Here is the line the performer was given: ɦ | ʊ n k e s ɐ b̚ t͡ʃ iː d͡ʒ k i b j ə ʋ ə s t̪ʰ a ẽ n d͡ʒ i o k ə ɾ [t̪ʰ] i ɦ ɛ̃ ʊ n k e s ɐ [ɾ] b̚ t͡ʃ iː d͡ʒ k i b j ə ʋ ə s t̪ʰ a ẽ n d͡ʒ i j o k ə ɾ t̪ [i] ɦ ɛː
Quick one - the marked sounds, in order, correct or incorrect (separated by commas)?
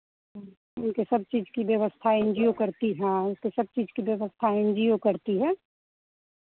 incorrect, incorrect, correct